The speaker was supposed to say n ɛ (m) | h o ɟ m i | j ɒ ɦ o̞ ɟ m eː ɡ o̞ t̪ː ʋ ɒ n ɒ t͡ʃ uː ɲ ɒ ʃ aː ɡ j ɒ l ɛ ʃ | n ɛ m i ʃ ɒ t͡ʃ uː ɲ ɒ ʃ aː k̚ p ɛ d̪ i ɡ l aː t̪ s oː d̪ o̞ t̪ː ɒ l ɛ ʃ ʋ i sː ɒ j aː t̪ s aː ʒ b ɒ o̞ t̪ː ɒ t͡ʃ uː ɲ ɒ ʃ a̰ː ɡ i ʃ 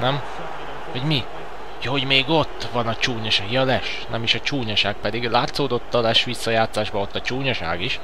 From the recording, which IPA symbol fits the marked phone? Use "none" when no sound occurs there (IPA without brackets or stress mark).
m